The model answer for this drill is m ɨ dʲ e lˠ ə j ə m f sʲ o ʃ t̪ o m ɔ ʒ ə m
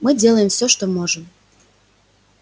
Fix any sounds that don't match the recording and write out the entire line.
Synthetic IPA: m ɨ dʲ e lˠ ə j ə m f sʲ o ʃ t̪ o m o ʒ ə m